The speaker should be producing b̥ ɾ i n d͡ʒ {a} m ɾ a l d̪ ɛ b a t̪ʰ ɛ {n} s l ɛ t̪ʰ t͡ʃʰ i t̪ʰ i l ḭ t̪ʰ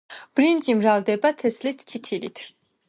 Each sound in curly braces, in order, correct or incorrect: incorrect, incorrect

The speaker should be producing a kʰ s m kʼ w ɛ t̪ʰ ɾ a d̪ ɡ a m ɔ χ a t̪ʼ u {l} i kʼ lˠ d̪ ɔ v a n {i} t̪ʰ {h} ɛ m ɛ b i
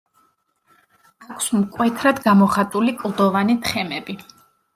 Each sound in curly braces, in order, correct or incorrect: correct, correct, incorrect

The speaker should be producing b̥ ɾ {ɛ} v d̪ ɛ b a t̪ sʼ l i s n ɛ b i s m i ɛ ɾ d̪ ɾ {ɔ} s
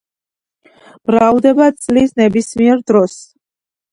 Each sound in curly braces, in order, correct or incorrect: incorrect, correct

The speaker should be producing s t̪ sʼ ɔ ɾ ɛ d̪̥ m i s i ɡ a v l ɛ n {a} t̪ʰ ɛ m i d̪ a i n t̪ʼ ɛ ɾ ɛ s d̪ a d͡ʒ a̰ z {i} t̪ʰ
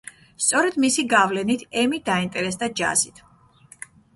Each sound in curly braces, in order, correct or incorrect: incorrect, correct

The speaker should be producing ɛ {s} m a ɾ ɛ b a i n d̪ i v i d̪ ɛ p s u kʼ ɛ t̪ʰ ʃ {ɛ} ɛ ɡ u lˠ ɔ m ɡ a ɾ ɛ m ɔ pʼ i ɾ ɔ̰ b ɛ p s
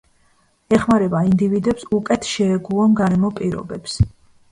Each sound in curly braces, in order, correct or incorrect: incorrect, correct

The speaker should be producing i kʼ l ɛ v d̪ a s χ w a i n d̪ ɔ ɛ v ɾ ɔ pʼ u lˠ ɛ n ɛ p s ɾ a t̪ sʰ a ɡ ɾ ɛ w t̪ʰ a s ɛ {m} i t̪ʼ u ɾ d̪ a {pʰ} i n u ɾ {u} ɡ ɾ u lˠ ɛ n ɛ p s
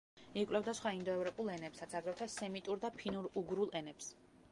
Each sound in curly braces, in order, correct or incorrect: correct, correct, correct

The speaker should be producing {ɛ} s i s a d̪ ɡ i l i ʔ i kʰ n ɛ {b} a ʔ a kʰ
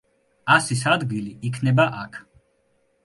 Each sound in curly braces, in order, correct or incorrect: incorrect, correct

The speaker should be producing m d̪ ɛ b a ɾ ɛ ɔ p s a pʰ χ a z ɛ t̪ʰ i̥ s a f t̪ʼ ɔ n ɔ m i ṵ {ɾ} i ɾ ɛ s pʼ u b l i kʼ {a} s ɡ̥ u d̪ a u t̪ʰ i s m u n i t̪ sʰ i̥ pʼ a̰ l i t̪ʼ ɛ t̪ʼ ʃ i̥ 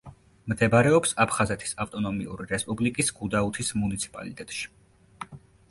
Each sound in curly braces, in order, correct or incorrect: correct, incorrect

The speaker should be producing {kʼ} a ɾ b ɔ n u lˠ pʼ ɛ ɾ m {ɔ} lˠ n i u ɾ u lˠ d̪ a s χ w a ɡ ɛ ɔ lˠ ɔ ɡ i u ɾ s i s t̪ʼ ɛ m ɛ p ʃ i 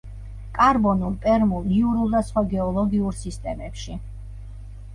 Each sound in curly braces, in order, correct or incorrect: correct, incorrect

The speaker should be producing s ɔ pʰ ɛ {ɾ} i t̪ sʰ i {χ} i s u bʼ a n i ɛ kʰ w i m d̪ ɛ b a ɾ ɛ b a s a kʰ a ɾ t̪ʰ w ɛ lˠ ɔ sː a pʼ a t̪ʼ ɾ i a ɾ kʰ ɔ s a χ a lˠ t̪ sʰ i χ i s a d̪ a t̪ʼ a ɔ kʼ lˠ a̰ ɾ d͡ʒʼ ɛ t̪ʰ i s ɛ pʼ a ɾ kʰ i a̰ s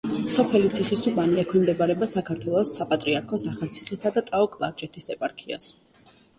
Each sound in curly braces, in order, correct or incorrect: incorrect, correct

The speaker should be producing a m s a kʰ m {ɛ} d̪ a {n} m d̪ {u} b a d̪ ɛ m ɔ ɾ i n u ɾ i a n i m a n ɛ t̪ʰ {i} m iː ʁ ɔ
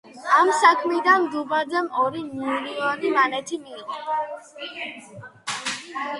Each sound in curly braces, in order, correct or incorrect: incorrect, correct, correct, correct

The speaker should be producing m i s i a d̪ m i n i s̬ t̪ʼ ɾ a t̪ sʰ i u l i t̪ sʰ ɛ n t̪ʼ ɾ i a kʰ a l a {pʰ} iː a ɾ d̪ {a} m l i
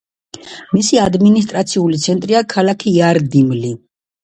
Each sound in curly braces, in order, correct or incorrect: incorrect, incorrect

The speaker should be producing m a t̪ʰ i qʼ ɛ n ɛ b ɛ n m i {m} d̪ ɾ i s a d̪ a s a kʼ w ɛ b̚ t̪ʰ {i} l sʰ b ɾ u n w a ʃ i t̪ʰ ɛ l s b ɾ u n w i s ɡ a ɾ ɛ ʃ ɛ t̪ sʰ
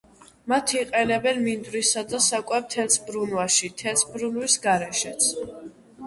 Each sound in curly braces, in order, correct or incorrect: incorrect, incorrect

